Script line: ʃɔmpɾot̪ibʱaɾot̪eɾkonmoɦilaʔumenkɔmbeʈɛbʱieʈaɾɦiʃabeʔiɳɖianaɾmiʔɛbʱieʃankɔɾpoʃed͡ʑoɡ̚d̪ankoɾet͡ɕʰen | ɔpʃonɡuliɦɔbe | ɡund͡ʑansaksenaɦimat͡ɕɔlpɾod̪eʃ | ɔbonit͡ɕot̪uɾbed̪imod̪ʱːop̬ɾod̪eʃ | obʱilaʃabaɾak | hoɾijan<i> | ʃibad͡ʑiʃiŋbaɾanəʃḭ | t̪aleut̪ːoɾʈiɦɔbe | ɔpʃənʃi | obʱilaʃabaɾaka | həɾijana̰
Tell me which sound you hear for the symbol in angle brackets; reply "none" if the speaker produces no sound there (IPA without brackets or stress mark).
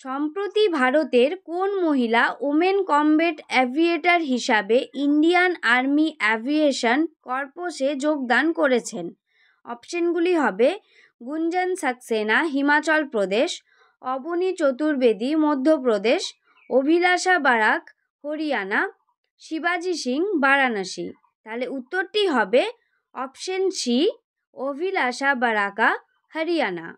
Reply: a